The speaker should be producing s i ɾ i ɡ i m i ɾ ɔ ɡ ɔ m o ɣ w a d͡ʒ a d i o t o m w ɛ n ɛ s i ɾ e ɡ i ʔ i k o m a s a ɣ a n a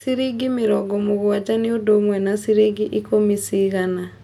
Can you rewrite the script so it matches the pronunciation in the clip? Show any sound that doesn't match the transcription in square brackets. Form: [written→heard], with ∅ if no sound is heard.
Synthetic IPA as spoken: s i ɾ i ɡ i m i ɾ ɔ ɡ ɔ m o ɣ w a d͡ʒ a [d→n] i o [t→d] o m w ɛ n [ɛ→a] s i ɾ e ɡ i ʔ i k o m [a→i] s [a→i] ɣ a n a